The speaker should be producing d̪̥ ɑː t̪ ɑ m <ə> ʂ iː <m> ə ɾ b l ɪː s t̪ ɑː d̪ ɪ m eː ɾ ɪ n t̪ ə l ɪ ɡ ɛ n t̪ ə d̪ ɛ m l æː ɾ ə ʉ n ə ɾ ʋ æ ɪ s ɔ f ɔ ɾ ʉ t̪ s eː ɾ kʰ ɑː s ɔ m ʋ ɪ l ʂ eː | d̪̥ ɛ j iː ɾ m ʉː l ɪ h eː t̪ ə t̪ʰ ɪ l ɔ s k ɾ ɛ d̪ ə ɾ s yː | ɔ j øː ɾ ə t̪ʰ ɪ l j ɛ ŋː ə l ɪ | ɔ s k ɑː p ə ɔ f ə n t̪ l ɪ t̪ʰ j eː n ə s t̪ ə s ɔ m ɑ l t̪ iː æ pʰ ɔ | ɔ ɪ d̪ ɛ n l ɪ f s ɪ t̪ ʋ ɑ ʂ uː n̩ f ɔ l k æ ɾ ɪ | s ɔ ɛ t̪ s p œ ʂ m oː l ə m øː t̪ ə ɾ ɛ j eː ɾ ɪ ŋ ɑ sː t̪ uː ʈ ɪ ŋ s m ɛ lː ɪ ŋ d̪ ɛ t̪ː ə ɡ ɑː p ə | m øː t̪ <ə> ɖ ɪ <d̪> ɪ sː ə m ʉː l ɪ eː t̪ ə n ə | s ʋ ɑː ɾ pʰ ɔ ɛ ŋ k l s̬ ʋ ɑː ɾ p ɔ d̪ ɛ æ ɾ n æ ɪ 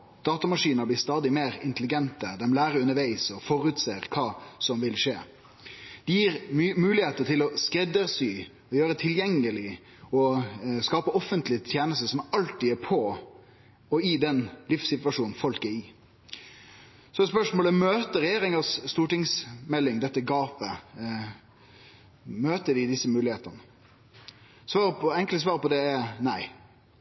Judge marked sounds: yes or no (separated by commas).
no, no, yes, yes